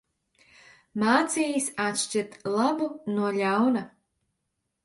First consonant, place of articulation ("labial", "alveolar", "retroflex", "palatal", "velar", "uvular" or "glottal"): labial